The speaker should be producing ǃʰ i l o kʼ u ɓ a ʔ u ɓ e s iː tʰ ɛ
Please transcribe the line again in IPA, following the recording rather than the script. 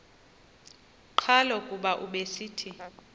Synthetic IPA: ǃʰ a l ɔ kʼ u ɓ a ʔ u ɓ e s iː tʰ i